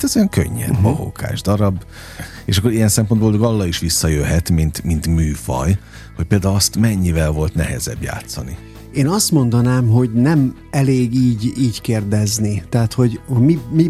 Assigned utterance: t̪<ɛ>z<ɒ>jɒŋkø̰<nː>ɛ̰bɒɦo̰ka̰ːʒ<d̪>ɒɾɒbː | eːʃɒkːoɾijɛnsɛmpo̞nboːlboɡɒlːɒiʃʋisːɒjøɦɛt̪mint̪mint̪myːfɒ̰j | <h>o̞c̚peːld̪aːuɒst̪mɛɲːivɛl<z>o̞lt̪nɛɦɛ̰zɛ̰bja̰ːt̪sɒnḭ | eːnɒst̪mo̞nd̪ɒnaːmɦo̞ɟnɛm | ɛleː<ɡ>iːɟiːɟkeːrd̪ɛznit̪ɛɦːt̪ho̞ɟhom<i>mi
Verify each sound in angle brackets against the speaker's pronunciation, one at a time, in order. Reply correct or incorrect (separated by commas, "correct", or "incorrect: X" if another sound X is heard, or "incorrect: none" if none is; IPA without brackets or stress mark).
correct, incorrect: o, incorrect: ɲː, correct, correct, incorrect: v, correct, correct